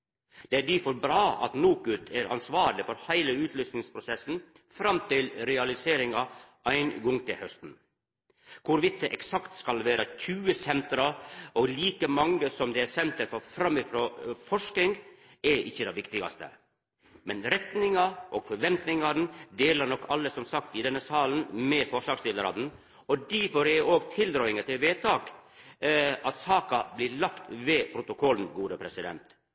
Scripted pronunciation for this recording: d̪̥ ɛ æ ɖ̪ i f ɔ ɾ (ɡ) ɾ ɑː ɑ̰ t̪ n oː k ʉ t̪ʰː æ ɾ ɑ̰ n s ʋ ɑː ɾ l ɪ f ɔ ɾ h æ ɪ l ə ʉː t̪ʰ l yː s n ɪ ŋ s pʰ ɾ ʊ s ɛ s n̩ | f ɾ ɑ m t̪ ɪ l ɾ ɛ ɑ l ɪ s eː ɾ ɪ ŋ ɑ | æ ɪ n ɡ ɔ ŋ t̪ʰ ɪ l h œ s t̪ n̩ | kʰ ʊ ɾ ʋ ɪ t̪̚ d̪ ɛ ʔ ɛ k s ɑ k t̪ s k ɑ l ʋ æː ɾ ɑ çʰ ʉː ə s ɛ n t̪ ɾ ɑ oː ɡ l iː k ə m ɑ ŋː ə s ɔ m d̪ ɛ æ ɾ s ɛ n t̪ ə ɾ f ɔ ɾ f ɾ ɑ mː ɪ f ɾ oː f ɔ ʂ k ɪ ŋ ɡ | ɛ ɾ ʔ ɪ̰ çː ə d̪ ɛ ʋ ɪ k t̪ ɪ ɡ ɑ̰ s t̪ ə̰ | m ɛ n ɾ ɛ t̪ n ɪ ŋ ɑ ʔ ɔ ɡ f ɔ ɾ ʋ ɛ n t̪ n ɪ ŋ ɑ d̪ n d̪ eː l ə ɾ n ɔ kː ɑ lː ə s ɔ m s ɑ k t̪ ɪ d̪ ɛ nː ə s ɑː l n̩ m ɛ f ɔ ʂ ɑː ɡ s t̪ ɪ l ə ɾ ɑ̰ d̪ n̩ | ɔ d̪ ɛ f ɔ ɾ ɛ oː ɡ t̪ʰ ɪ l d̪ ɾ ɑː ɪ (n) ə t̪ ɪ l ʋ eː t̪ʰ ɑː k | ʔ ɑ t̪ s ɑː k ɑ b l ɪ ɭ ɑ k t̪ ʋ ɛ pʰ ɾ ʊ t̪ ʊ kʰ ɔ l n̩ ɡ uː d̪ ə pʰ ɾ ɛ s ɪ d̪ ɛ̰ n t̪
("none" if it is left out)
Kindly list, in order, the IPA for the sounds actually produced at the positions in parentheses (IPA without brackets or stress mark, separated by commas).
b, ŋ